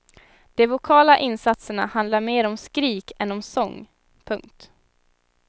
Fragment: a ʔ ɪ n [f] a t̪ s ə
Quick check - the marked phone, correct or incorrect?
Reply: incorrect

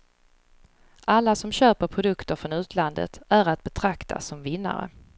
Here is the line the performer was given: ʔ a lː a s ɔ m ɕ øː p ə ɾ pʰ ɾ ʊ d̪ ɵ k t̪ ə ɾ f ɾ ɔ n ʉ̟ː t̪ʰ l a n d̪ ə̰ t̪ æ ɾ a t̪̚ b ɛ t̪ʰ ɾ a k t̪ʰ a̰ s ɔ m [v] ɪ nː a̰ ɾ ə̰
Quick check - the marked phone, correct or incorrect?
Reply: correct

